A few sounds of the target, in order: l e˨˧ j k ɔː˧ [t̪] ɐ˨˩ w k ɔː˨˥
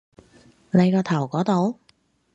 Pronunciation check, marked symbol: incorrect: t̪ʰ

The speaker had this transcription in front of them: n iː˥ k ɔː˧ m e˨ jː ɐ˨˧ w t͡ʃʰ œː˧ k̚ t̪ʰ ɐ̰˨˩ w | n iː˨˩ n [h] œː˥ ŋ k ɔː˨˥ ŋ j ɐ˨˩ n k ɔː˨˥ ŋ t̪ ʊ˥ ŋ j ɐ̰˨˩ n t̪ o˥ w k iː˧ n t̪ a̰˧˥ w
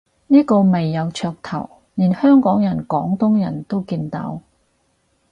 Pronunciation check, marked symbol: correct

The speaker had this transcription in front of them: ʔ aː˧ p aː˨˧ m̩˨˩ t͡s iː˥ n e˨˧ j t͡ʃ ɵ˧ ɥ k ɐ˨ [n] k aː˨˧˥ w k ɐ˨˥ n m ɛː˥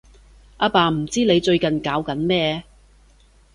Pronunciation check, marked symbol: correct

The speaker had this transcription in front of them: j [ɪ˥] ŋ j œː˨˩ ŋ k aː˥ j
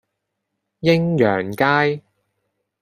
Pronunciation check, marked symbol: correct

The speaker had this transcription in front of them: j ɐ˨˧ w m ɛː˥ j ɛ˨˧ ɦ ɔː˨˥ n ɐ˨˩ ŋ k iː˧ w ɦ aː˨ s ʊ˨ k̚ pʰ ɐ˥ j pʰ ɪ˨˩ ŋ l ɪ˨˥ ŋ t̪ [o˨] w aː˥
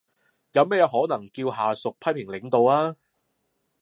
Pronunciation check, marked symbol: correct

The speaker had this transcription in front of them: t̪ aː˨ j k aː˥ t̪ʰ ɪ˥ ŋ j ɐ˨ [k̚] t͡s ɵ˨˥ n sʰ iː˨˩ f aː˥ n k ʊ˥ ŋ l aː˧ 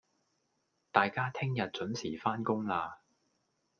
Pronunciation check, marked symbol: incorrect: t̚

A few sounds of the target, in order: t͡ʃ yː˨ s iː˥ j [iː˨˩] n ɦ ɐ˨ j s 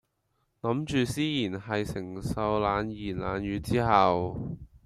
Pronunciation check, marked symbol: correct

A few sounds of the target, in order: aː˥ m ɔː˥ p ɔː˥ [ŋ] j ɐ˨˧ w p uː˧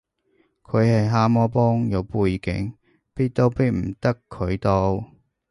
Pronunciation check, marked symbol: correct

